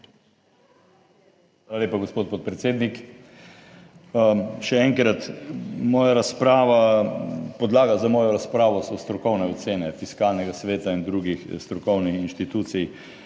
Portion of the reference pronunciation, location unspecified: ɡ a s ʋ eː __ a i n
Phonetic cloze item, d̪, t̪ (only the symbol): t̪